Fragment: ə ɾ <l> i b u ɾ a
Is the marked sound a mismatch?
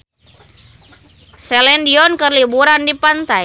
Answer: no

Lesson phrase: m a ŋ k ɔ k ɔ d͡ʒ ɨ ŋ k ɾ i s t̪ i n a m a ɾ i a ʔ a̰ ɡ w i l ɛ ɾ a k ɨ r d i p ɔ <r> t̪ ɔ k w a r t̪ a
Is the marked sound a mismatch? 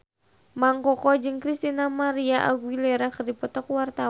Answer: yes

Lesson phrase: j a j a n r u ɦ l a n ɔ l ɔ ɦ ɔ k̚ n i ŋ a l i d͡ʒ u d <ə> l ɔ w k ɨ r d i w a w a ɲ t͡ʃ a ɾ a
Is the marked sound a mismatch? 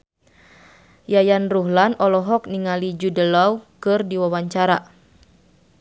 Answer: no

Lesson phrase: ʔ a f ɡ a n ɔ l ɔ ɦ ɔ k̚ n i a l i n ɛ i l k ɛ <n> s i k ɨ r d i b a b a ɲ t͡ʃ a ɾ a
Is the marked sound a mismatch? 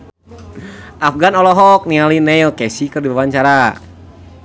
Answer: yes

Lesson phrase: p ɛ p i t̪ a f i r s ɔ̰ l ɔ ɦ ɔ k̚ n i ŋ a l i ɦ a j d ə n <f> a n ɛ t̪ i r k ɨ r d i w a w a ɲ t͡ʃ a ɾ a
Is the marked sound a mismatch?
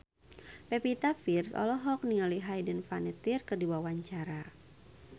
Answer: no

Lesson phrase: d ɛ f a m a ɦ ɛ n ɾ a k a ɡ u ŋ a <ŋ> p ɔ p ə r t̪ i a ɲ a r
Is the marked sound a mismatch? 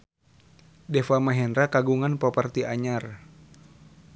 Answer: yes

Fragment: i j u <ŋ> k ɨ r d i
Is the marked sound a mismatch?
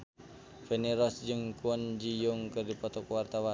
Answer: no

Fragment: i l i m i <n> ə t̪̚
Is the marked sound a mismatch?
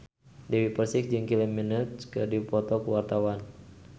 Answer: no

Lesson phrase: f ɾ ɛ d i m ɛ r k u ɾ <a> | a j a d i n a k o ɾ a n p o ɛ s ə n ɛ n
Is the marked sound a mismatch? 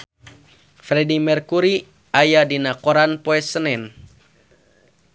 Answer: yes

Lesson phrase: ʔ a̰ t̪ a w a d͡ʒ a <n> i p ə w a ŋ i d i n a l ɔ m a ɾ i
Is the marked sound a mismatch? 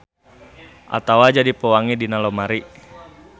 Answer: yes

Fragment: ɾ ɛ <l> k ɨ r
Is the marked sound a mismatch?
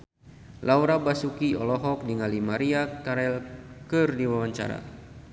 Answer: no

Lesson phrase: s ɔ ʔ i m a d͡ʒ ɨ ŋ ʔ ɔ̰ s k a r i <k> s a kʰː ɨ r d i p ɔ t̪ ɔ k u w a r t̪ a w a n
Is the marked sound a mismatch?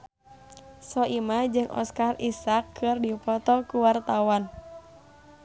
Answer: yes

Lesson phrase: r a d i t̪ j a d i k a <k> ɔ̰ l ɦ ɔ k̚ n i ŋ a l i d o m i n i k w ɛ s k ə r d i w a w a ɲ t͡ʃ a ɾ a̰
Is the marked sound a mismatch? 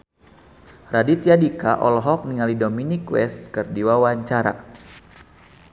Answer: yes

